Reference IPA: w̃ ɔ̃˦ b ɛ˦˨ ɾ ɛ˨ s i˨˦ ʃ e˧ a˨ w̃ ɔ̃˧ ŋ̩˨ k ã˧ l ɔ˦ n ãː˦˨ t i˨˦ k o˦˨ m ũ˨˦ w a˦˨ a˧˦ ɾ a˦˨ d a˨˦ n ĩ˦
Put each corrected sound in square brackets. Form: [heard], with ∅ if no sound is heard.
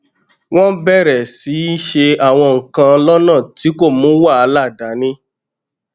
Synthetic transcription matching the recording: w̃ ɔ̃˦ b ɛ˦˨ ɾ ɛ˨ s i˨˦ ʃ e˧ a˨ w̃ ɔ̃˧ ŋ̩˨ k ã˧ l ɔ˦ n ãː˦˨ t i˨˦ k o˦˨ m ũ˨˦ w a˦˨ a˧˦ [l] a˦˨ d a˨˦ n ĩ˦